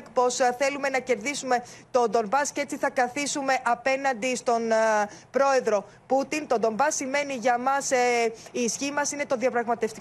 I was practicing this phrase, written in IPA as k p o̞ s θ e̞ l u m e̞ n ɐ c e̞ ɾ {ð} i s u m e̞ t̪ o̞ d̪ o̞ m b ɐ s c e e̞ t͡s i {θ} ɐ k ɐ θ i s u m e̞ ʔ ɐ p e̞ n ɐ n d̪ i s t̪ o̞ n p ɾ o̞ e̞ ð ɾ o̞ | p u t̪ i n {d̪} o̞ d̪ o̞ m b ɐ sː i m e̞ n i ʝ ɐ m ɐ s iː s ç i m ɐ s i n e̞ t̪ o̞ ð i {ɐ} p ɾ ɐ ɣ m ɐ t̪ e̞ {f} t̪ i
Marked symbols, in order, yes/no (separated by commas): yes, yes, no, yes, yes